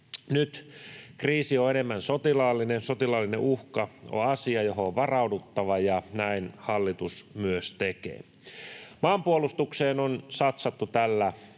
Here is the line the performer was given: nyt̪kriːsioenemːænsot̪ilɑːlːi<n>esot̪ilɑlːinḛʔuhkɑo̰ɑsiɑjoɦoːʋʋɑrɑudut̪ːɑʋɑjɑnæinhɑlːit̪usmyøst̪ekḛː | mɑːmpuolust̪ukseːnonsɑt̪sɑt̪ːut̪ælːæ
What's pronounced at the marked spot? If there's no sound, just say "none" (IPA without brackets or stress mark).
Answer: n